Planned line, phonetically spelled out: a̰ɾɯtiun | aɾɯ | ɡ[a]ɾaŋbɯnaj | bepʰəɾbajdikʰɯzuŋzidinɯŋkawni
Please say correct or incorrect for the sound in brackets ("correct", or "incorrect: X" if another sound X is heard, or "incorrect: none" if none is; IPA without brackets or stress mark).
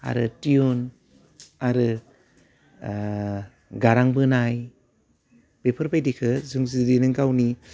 correct